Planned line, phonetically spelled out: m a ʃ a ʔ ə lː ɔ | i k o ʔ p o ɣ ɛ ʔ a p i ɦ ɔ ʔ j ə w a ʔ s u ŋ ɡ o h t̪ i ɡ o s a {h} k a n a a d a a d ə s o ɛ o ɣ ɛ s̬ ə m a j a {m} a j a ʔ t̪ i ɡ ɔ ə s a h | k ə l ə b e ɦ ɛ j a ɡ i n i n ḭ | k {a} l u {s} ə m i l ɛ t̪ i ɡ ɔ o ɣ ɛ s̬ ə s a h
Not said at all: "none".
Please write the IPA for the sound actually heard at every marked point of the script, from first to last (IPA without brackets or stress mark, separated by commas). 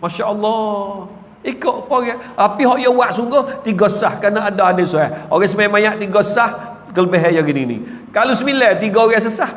h, m, a, s